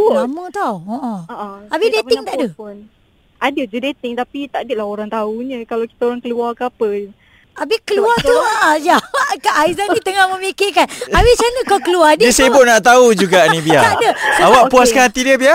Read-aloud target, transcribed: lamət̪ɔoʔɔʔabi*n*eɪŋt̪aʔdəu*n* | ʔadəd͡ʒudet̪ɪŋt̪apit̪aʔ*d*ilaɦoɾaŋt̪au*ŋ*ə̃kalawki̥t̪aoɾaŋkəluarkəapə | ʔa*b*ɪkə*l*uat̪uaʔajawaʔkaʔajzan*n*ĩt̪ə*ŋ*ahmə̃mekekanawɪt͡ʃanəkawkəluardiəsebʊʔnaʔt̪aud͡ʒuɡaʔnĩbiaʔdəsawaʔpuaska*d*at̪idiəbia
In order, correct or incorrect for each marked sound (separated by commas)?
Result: incorrect, correct, correct, incorrect, correct, correct, correct, correct, incorrect